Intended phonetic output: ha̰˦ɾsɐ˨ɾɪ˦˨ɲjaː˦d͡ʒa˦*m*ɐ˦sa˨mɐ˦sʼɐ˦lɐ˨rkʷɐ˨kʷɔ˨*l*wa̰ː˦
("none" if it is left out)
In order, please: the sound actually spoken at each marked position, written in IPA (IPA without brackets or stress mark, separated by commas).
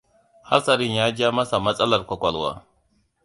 m, l